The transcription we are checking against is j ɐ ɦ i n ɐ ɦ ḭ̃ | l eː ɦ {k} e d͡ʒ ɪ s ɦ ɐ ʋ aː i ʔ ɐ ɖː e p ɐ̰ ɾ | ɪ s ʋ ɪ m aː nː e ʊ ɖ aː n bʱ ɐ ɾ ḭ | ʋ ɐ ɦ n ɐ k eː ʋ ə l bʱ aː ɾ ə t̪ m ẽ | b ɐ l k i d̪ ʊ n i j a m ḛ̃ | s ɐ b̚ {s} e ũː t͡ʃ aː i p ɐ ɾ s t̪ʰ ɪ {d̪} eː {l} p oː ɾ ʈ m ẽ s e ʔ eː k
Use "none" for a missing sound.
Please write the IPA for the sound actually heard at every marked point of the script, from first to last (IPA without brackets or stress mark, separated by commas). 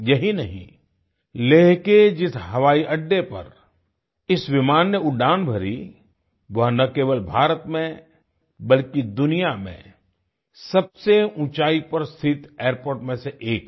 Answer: k, s, t̪, ɾ